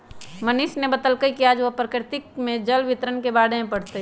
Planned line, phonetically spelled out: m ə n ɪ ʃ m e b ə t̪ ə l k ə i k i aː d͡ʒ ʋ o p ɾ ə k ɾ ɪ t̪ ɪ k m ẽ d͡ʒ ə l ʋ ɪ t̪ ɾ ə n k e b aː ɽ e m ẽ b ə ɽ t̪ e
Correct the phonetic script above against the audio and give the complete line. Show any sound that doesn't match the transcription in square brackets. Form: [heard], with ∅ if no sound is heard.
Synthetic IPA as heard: m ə n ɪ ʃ [n] e b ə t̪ ə l k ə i k i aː d͡ʒ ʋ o p ɾ ə k ɾ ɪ t̪ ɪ k m ẽ d͡ʒ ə l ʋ ɪ t̪ ɾ ə n k e b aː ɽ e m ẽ [p] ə ɽ t̪ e